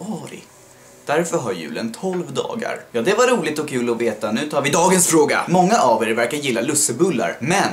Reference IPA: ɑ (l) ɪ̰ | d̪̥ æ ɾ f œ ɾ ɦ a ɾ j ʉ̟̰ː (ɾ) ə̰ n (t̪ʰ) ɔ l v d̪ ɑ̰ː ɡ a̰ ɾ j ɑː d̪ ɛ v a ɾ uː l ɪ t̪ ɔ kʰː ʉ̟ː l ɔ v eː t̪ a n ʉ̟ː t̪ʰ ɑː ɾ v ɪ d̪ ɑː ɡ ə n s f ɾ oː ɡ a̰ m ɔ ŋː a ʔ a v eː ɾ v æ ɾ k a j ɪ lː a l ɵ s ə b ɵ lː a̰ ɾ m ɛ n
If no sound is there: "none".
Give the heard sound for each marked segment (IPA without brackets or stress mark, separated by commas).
ɾ, l, t̪ʰ